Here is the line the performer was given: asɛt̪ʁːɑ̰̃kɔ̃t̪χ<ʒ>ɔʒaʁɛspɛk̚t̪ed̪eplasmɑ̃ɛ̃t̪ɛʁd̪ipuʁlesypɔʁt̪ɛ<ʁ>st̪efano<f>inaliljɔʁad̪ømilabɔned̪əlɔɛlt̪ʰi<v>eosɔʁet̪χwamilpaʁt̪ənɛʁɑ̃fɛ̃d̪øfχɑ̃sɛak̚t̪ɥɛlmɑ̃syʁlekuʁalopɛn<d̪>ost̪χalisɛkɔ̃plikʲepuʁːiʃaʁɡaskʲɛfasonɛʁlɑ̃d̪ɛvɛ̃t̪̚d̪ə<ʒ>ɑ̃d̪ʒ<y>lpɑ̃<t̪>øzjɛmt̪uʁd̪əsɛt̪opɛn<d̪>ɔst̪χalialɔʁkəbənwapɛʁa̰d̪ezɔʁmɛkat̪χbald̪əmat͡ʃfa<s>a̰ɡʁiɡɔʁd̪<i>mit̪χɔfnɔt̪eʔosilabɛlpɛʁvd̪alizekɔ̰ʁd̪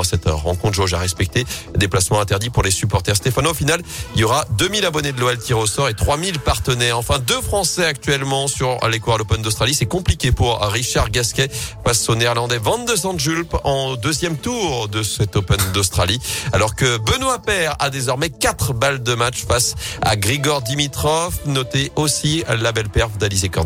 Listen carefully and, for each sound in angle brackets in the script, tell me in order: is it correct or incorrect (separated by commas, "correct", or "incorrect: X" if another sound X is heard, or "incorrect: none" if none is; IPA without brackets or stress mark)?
correct, correct, correct, incorrect: ʁ, correct, incorrect: z, correct, incorrect: d̪, correct, correct, correct